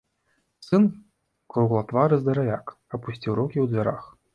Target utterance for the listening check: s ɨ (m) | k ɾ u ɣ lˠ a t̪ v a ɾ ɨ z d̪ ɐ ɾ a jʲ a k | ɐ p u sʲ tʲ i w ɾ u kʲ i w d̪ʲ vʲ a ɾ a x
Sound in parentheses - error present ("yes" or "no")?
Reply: yes